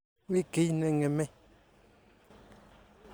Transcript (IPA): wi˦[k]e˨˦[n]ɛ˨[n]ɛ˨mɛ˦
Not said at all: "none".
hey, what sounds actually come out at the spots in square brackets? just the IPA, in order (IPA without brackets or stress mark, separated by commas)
k, n, ŋ